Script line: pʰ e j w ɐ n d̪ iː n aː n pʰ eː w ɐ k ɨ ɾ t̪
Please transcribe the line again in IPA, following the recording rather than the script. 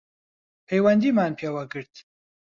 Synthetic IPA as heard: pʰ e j w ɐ n d̪ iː m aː n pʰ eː w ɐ ɡ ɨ ɾ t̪